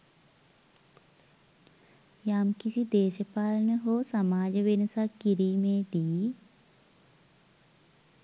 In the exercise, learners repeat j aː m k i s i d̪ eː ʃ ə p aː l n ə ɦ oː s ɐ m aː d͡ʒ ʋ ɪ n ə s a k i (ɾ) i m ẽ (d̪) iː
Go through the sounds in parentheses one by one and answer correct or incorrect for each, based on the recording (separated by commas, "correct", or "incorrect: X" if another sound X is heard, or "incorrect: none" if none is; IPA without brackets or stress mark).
correct, correct